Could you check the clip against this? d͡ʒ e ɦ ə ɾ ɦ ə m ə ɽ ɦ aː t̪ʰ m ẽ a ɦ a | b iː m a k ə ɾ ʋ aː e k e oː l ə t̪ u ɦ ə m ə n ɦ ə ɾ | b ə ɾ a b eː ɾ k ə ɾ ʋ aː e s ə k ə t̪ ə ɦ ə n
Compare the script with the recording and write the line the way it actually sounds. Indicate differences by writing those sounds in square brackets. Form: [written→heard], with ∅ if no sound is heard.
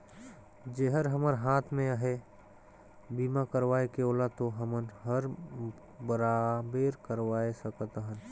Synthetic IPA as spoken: d͡ʒ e ɦ ə ɾ ɦ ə m ə [ɽ→ɾ] ɦ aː t̪ʰ m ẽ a ɦ [a→e] | b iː m a k ə ɾ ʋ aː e k e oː l [ə→a] t̪ [u→o] ɦ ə m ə n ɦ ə ɾ | b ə ɾ a b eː ɾ k ə ɾ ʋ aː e s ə k ə t̪ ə ɦ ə n